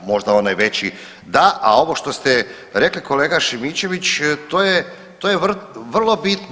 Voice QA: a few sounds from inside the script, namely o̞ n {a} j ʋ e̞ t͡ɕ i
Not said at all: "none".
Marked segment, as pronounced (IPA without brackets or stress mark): a